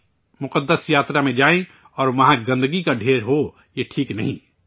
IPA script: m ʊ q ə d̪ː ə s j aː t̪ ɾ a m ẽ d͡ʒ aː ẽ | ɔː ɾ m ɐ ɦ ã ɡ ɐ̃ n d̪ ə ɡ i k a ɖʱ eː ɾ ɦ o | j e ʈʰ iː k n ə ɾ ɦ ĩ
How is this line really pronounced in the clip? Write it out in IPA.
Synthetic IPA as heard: m ʊ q ə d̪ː ə s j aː t̪ ɾ a m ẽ d͡ʒ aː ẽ | ɔː ɾ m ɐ ɦ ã ɡ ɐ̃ n d̪ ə ɡ i k a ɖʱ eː ɾ ɦ o | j e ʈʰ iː k n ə ɦ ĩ